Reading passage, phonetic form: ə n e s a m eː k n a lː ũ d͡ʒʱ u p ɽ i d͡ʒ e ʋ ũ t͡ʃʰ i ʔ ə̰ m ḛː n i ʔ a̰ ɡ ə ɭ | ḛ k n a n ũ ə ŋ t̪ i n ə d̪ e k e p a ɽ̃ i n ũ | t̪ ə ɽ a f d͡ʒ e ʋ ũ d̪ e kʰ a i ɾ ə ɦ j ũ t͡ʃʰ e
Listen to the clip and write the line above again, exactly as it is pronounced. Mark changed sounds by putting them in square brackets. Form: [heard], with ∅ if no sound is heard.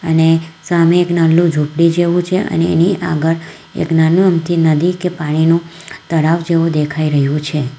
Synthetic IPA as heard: ə n e s a m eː k n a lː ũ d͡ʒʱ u p ɽ i d͡ʒ e ʋ ũ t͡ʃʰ [e] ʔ ə̰ [n] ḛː n i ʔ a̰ ɡ ə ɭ | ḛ k n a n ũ ə [m] t̪ i n ə d̪ [i] k e p a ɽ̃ i n ũ | t̪ ə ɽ a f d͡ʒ e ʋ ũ d̪ e kʰ a i ɾ ə ɦ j ũ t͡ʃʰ e